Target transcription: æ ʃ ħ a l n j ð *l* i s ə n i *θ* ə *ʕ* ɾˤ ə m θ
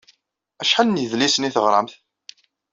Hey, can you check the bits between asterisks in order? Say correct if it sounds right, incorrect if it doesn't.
correct, correct, incorrect

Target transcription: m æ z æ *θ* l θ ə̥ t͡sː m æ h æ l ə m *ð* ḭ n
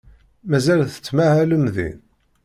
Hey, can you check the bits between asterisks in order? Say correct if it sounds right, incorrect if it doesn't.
incorrect, correct

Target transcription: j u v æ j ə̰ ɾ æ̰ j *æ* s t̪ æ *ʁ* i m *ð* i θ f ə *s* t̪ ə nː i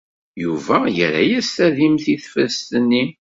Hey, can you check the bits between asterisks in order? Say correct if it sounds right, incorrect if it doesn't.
correct, incorrect, incorrect, correct

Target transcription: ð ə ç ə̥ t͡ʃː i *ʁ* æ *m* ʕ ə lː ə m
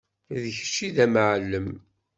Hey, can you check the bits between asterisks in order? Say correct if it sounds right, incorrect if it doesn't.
incorrect, correct

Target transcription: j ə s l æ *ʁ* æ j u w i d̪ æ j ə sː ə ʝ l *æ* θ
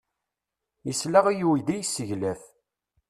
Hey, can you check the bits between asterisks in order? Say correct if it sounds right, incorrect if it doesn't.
correct, correct

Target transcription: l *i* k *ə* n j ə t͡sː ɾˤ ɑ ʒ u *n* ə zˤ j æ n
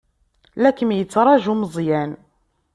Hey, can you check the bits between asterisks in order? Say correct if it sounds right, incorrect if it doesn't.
incorrect, correct, incorrect

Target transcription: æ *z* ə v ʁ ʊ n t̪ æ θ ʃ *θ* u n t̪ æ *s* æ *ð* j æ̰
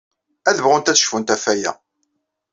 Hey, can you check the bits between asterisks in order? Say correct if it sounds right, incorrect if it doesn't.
incorrect, incorrect, incorrect, incorrect

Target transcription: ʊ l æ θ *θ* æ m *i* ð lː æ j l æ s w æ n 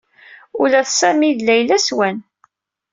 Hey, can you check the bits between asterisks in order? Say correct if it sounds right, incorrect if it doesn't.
incorrect, correct

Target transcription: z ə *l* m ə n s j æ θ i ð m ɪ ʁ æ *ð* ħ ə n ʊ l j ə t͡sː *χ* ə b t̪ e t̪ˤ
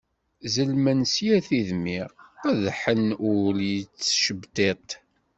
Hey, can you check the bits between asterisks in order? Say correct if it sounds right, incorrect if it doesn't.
correct, correct, incorrect

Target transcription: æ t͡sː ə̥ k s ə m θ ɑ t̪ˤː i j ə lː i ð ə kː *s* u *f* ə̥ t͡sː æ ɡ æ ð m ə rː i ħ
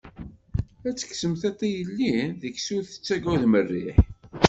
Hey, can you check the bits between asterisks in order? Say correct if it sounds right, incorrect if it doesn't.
correct, incorrect

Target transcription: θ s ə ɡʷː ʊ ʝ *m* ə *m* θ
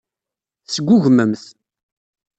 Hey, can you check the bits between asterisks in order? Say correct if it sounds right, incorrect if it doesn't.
correct, correct

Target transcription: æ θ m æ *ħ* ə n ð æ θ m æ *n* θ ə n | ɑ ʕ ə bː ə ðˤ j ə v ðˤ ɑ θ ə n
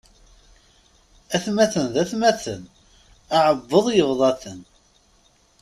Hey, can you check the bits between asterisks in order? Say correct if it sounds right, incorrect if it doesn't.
incorrect, incorrect

